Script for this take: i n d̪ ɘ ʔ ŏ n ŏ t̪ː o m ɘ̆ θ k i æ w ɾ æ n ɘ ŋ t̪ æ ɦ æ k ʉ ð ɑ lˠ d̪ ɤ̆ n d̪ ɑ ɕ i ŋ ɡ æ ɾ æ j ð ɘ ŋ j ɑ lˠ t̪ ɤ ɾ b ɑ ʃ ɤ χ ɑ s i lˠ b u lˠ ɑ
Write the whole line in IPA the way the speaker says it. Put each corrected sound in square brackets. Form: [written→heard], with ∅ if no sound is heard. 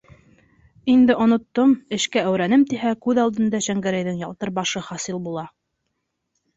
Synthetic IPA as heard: i n d̪ ɘ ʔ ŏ n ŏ t̪ː o m ɘ̆ [θ→ʃ] k [i→æ] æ w ɾ æ n ɘ [ŋ→m] t̪ [æ→i] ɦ æ k ʉ ð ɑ lˠ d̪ ɤ̆ n d̪ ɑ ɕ [i→æ] ŋ ɡ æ ɾ æ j ð ɘ ŋ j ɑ lˠ t̪ ɤ ɾ b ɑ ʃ ɤ χ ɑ s i lˠ b u lˠ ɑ